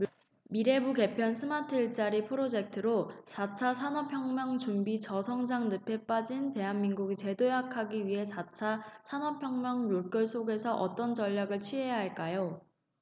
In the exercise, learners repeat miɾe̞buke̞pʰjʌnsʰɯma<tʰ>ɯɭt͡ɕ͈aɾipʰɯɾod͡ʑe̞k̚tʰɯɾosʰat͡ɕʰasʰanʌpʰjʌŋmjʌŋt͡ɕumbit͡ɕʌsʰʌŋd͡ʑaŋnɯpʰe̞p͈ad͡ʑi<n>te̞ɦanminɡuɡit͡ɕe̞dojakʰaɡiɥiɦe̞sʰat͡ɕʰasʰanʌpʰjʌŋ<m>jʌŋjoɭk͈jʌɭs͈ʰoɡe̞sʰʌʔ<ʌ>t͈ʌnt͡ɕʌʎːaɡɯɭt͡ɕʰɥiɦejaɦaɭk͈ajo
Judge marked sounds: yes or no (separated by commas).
yes, yes, yes, yes